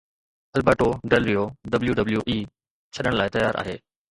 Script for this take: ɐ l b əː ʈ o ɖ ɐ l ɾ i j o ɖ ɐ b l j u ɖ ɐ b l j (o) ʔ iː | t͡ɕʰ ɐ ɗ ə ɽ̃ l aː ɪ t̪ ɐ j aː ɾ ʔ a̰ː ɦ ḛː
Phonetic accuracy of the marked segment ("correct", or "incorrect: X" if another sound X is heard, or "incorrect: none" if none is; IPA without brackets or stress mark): incorrect: u